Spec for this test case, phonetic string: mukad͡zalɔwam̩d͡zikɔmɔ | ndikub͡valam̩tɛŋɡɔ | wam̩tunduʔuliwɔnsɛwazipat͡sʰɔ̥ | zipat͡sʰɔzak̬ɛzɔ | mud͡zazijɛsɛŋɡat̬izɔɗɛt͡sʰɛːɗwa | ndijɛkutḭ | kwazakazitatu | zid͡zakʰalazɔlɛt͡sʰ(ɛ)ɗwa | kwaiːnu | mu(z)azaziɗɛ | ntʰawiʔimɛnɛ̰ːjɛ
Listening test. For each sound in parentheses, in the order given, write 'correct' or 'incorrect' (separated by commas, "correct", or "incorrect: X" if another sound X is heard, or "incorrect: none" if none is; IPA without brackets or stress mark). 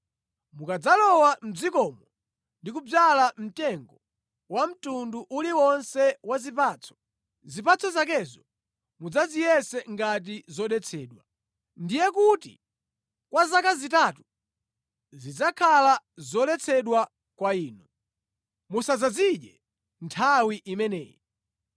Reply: correct, incorrect: s